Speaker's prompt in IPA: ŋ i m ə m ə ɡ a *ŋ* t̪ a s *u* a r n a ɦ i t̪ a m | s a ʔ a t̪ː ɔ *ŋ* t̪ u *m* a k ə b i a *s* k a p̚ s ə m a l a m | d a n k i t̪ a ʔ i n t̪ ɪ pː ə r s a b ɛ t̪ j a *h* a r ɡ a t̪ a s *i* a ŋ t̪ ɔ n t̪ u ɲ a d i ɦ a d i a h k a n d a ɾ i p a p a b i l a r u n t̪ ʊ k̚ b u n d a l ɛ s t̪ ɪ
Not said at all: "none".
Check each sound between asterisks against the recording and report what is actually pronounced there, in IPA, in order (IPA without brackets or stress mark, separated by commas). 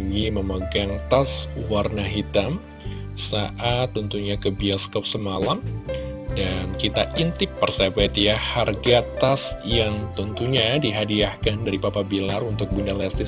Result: ŋ, w, n, ɲ, s, h, j